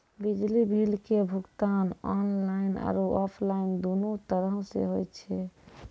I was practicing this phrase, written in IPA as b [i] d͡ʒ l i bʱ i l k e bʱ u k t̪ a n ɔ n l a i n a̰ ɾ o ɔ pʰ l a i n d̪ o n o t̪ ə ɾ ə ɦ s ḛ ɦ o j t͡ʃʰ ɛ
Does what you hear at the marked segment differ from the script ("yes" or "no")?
no